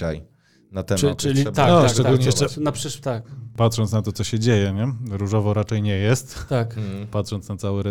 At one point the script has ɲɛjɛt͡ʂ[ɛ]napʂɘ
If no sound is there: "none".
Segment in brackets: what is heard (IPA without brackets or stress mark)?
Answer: ɛ